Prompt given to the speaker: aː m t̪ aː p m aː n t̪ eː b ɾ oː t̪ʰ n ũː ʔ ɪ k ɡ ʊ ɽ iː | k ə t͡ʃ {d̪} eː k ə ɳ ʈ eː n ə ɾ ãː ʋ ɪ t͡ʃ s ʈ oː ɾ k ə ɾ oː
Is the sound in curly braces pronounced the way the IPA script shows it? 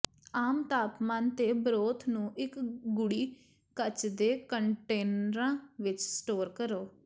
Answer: yes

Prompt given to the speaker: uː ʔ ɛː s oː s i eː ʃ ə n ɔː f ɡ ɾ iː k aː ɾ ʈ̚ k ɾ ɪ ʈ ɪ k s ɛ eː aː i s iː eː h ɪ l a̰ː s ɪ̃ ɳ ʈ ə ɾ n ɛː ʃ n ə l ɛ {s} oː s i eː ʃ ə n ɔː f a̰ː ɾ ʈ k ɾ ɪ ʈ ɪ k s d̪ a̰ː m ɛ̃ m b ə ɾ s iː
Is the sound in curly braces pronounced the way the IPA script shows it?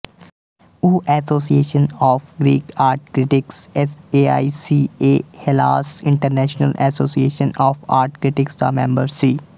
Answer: yes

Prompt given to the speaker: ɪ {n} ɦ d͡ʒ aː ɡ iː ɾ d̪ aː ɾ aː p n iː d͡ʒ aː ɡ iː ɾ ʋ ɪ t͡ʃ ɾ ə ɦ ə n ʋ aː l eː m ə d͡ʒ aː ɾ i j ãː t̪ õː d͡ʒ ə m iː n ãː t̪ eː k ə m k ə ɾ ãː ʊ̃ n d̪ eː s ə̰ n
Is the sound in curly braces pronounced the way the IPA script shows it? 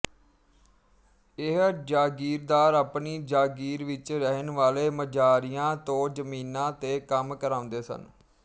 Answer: no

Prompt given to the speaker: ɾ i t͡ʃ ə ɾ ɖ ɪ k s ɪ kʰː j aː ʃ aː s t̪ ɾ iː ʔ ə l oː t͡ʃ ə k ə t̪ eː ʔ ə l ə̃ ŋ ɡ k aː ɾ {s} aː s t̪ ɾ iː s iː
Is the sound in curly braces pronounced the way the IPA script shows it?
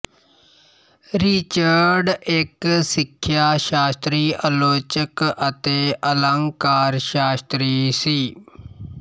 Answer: no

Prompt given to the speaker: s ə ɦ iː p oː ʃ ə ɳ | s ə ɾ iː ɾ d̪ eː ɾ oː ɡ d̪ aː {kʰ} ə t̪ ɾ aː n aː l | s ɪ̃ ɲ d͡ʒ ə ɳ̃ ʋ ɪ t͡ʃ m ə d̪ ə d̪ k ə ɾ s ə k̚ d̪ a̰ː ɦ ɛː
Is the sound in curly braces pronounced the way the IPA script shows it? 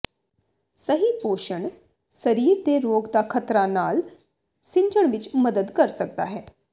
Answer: yes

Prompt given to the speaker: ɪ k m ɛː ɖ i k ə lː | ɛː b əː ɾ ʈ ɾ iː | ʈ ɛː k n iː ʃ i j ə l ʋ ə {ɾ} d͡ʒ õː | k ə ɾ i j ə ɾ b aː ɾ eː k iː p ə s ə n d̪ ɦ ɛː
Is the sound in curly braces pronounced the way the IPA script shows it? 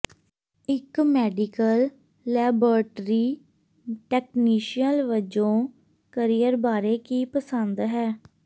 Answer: no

